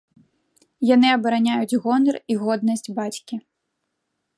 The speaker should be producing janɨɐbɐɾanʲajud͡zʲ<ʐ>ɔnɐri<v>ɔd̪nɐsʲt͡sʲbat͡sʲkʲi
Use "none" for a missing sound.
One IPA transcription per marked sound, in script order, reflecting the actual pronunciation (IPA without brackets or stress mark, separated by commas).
ɣ, ɣ